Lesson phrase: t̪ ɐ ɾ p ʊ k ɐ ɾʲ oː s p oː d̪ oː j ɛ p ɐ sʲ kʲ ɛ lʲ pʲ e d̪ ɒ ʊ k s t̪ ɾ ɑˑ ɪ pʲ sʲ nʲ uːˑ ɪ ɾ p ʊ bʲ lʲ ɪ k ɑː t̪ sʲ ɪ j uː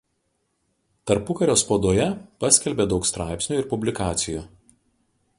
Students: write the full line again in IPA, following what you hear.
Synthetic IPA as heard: t̪ ɐ ɾ p ʊ k ɐ ɾʲ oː s p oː d̪ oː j ɛ p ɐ sʲ kʲ ɛ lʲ bʲ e d̪ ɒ ʊ k s t̪ ɾ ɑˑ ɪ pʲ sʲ nʲ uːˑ ɪ ɾ p ʊ bʲ lʲ ɪ k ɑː t̪ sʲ ɪ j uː